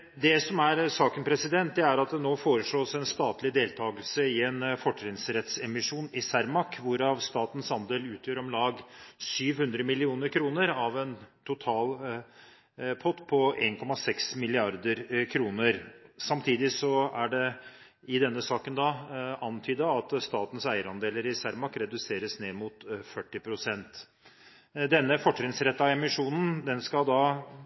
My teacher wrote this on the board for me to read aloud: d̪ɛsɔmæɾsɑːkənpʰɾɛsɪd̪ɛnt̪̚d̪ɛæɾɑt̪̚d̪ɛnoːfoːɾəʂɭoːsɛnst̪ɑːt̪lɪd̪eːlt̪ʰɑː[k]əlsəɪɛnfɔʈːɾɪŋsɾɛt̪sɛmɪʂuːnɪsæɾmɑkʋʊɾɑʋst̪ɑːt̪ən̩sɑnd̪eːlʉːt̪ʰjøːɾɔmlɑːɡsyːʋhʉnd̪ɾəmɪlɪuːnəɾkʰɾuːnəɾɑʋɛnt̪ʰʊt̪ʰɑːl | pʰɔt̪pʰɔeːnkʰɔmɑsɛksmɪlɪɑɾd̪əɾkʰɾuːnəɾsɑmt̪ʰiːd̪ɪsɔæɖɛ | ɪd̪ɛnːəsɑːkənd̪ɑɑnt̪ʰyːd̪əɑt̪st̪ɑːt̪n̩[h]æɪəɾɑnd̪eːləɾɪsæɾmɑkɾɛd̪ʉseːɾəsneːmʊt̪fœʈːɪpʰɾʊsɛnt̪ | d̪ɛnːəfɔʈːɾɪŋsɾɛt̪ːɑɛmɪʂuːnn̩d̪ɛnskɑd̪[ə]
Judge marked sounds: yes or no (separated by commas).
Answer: no, no, no